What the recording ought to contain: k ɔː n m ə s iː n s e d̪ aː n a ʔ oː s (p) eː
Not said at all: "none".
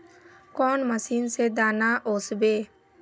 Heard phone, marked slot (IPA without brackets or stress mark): b